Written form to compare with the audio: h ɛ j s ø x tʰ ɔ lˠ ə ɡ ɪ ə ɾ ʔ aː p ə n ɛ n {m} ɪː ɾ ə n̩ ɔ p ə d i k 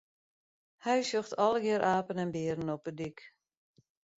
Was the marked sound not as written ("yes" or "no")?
yes